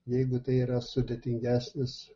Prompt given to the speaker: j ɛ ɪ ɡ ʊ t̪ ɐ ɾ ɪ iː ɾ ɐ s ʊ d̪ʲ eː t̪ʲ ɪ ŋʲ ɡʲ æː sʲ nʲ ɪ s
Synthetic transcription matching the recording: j ɛ ɪ ɡ ʊ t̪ ɐ ɪ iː ɾ ɐ s ʊ d̪ʲ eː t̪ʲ ɪ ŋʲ ɡʲ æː sʲ nʲ ɪ s